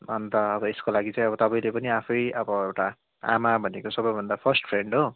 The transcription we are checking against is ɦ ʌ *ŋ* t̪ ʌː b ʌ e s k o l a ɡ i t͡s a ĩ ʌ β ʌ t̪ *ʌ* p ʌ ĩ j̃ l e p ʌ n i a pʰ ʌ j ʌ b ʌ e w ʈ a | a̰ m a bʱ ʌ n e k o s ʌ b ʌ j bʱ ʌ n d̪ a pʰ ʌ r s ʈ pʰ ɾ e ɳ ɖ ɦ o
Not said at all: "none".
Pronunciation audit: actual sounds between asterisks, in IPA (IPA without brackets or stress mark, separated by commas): n, ʌ